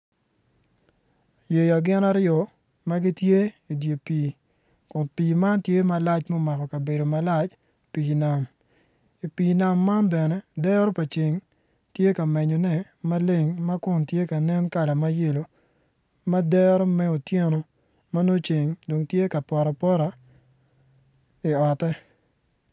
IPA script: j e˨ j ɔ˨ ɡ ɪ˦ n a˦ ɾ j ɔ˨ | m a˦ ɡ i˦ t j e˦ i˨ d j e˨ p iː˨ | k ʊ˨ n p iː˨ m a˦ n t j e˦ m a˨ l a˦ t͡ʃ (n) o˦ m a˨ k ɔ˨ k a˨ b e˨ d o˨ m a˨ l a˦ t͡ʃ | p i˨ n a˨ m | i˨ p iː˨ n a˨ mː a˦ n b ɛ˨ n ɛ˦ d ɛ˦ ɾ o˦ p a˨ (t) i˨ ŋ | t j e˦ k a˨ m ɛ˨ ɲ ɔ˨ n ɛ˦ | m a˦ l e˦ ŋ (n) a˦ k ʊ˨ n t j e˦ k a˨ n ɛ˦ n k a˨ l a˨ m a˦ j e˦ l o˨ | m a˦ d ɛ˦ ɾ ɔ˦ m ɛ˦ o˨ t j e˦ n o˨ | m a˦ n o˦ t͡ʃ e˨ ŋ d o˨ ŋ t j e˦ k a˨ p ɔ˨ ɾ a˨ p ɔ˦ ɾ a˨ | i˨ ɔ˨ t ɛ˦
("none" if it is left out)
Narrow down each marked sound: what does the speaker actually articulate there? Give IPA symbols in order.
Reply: m, t͡ʃ, m

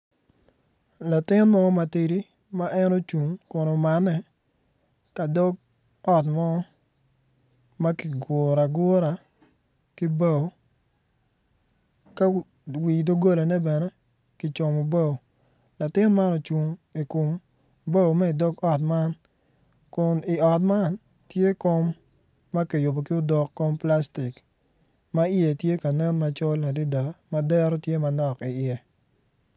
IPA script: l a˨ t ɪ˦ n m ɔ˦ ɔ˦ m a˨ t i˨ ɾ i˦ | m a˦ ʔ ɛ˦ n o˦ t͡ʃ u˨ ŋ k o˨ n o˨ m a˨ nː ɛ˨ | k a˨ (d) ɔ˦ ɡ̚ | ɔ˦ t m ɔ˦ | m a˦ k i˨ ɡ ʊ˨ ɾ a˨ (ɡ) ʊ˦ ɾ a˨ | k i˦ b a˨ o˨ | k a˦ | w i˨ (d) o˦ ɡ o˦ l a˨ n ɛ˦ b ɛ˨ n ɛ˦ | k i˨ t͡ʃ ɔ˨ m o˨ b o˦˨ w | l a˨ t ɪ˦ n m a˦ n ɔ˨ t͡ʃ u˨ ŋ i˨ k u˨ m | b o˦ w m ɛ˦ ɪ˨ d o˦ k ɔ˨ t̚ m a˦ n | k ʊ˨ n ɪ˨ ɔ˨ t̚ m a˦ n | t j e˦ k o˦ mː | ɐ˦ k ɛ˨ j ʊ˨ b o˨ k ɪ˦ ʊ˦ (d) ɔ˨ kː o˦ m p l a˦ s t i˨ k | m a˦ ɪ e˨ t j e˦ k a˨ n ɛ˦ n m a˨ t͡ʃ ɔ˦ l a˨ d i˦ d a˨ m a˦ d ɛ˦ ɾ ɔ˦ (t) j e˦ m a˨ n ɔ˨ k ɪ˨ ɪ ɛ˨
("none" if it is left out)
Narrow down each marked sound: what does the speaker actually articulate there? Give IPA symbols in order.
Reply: d, ɡ, d, d, t

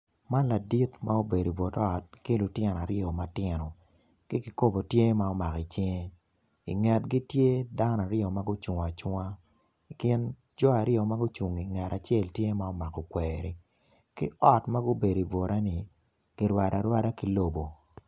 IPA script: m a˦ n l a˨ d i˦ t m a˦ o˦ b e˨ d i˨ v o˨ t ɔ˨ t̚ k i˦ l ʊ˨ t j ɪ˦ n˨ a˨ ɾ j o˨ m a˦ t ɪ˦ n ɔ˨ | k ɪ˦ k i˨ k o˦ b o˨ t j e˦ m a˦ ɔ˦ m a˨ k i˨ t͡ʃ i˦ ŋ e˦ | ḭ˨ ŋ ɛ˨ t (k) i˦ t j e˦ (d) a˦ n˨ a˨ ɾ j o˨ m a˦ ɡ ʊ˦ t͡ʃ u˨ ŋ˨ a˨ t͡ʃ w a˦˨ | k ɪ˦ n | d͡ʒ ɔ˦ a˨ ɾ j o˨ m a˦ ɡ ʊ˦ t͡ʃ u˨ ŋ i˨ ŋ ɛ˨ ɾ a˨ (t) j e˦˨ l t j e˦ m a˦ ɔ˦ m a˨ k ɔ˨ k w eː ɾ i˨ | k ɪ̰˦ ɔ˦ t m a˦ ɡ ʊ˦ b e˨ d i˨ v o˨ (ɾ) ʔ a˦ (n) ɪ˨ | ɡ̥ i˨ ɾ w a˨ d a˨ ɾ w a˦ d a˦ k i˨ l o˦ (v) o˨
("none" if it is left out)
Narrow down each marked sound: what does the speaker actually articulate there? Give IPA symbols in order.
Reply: ɡ, d, t͡ʃ, ɾ, n, b

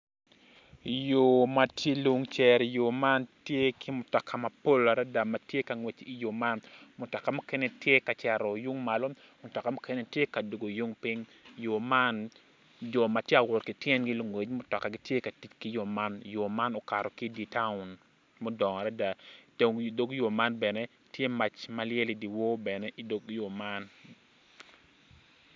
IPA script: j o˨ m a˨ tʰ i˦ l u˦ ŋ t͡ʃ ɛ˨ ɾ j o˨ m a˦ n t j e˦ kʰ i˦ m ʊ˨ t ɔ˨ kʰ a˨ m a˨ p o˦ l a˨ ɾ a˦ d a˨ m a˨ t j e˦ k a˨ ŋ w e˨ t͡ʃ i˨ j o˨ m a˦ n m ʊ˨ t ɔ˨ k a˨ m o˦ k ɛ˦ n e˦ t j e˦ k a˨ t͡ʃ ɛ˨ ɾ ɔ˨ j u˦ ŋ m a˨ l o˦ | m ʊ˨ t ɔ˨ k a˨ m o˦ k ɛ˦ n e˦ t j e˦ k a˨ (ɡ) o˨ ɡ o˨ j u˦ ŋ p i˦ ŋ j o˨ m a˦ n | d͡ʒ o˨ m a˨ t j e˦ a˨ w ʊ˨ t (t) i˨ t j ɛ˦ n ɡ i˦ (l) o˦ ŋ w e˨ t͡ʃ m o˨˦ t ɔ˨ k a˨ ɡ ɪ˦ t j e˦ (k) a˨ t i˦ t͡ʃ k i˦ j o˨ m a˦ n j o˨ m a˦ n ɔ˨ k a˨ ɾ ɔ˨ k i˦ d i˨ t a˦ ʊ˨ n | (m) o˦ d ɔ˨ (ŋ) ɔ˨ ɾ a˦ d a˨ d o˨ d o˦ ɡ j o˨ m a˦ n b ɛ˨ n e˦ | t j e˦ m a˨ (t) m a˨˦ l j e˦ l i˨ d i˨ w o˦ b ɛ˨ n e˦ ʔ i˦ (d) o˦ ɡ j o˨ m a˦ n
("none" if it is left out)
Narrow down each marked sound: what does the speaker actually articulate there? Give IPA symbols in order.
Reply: d, k, l, k, m, ŋ, t͡ʃ, d

